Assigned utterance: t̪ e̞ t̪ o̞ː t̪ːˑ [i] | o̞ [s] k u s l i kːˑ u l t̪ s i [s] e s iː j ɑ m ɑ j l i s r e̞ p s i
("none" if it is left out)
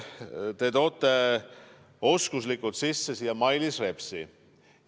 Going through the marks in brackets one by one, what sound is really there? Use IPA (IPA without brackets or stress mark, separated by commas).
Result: e, s, sː